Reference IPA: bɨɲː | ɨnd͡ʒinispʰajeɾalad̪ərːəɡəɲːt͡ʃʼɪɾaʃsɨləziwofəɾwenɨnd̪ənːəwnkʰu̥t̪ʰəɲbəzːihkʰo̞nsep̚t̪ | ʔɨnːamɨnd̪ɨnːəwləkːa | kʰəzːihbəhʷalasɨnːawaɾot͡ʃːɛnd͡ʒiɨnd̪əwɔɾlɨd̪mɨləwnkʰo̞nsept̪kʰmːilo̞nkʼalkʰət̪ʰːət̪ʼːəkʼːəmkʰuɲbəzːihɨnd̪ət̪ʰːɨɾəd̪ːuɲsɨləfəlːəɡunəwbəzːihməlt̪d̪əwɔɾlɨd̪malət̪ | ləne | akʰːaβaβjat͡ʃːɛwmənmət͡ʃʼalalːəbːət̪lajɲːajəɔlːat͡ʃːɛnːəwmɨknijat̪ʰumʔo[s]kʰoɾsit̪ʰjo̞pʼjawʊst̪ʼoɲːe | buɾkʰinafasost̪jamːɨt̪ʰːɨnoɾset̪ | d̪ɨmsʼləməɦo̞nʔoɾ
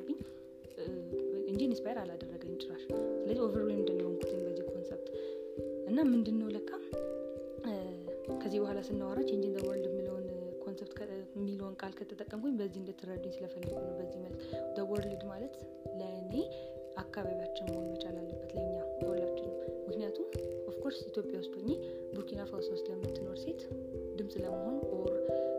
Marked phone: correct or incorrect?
incorrect